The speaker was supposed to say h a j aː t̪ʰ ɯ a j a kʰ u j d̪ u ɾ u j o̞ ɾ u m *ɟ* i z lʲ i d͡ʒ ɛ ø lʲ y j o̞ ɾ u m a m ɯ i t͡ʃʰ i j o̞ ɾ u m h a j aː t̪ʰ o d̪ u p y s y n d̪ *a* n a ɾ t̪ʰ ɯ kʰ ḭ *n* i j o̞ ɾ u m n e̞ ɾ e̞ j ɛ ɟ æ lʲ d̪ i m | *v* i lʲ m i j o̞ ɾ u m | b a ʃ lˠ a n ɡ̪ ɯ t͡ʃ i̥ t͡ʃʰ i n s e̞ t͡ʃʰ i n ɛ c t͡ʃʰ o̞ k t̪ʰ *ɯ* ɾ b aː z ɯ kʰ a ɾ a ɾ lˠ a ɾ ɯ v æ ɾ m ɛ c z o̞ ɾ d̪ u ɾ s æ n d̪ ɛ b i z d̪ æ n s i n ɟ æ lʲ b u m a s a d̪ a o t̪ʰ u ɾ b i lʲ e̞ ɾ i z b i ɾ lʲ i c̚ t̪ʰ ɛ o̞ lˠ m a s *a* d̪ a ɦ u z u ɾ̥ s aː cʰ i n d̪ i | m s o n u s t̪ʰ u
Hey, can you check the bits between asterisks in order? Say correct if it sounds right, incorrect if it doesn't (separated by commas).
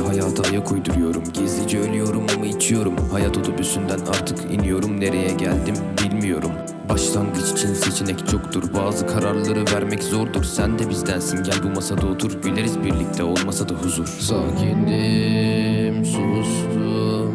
correct, incorrect, correct, incorrect, incorrect, correct